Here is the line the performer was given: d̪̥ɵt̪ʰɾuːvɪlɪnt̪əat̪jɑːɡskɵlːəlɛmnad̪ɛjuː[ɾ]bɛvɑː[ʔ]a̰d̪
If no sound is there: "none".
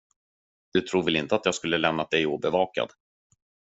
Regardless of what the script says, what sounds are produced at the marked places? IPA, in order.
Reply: none, k

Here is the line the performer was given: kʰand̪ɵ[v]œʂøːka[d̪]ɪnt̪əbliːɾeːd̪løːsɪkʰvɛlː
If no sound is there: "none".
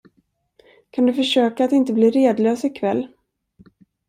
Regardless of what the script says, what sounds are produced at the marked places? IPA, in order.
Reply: f, t̪

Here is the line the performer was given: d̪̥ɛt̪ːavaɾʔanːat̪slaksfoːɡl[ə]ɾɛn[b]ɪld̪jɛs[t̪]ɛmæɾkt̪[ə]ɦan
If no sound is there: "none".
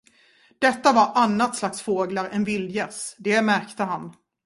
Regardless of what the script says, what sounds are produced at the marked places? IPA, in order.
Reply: a, v, d̪, ə

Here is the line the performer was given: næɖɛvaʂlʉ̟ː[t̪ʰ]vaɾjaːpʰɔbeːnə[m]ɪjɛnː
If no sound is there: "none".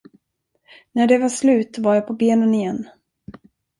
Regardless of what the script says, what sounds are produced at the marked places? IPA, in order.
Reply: t̪, n

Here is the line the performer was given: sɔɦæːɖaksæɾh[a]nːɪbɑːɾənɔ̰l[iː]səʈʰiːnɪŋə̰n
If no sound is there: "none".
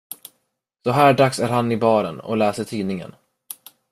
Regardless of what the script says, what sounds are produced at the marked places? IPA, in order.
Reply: a, ɛː

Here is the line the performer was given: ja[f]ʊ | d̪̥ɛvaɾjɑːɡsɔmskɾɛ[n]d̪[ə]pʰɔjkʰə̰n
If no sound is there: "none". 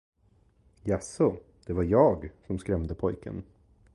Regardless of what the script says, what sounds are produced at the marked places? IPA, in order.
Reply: s, m, ə

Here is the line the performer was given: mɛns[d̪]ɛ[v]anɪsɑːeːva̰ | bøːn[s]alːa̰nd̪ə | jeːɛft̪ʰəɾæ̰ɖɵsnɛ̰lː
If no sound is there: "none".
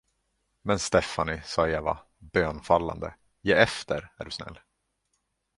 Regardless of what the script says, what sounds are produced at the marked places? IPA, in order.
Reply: t̪, f, f

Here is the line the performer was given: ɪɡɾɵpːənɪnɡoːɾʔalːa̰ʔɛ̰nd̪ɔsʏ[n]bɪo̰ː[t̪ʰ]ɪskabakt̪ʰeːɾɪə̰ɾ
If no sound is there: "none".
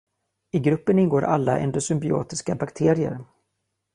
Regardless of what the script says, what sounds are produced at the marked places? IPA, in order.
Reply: m, t̪

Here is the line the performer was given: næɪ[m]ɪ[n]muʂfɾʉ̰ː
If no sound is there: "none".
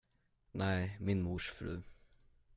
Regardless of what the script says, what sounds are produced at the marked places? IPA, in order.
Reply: m, n

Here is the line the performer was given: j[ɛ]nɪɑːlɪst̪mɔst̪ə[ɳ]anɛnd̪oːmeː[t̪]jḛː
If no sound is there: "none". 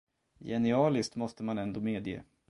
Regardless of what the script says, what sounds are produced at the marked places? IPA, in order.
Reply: ɛ, m, d̪

